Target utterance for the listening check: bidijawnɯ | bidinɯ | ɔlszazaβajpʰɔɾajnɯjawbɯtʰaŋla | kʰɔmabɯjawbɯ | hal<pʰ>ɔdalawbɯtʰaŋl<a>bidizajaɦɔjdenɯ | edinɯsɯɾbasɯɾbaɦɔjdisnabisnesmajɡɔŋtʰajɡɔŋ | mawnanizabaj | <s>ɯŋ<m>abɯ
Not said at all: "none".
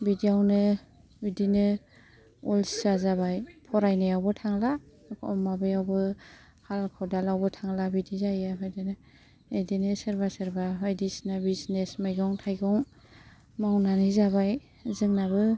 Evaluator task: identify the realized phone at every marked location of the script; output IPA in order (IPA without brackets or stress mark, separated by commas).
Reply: kʰ, a, z, n